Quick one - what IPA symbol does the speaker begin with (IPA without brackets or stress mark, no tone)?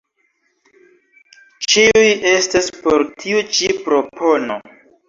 t͡ʃ